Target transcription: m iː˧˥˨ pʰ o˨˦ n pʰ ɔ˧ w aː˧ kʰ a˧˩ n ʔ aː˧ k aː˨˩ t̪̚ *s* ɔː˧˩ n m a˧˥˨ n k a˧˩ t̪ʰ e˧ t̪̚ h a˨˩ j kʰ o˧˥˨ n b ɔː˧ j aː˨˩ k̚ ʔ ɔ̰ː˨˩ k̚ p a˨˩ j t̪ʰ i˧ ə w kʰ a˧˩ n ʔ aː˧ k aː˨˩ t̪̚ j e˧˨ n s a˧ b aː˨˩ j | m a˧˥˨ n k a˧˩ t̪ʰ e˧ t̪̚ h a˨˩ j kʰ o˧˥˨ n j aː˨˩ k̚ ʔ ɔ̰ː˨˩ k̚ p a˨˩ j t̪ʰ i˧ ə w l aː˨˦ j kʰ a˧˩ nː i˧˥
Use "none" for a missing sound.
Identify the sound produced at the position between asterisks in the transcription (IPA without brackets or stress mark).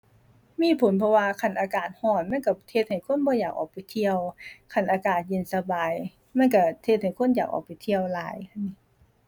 h